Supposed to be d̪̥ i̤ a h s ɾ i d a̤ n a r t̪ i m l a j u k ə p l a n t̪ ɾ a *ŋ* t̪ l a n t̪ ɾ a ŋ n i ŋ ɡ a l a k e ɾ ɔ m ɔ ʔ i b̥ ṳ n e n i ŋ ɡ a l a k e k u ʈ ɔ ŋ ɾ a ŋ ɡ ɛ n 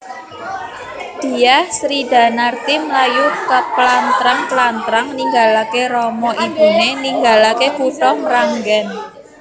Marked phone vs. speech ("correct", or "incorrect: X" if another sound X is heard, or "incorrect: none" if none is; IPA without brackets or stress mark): correct